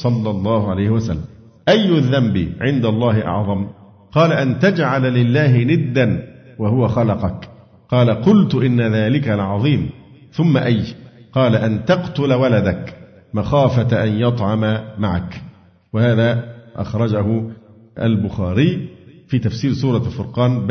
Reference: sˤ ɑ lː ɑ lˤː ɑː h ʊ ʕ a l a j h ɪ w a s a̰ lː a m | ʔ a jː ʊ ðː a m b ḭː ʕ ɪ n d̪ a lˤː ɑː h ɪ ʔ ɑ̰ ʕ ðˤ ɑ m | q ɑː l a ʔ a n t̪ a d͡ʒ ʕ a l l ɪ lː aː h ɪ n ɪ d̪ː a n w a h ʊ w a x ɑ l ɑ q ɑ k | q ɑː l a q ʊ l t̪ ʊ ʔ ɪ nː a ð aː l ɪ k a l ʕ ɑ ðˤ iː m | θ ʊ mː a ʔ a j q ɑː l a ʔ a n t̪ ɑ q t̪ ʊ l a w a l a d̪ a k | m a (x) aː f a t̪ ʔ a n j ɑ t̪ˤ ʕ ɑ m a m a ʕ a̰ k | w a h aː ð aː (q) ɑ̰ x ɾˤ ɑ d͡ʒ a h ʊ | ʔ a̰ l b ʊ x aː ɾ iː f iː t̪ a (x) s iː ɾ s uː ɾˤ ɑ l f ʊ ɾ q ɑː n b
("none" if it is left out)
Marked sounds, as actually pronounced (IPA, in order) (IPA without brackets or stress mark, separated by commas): x, ʔ, f